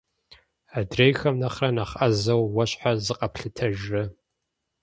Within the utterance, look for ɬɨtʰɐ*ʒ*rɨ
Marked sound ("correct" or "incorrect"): correct